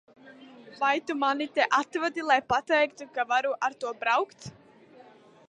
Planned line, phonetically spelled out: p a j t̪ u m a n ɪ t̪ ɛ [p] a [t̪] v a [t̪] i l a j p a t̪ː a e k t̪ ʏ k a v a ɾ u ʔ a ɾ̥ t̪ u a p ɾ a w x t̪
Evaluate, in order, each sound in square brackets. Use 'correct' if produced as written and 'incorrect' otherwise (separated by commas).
incorrect, correct, correct